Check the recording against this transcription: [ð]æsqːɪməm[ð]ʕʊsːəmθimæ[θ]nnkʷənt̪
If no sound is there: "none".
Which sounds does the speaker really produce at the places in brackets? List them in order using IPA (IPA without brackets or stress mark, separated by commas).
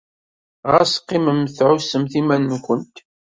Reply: ʁ, θ, none